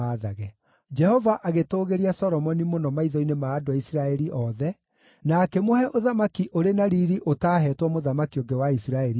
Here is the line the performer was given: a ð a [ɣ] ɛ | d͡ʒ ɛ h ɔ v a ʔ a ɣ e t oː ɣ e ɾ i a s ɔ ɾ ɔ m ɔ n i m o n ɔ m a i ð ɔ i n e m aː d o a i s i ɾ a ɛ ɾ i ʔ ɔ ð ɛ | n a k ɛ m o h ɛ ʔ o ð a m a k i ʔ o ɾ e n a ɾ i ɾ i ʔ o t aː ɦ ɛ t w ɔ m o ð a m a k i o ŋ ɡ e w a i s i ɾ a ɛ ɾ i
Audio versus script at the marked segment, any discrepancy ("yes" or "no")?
no